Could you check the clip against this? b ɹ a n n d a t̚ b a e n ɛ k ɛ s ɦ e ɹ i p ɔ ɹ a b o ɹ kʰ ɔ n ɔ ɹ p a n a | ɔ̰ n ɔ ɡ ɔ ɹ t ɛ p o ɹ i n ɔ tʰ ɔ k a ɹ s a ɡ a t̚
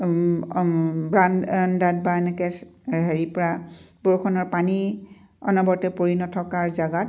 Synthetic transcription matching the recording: b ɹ a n n d a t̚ b a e n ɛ k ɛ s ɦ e ɹ i p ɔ ɹ a b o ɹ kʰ ɔ n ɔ ɹ p a n i | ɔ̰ n ɔ b ɔ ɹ t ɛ p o ɹ i n ɔ tʰ ɔ k a ɹ z a ɡ a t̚